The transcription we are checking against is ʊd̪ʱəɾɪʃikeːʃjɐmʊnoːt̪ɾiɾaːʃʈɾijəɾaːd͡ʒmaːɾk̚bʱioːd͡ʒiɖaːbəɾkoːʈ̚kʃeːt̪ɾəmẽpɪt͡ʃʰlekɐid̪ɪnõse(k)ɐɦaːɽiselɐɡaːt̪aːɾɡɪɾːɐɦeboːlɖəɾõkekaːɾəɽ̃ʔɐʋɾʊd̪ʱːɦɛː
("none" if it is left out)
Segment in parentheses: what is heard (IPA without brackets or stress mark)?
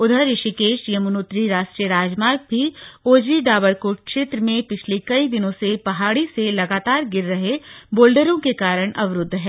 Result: p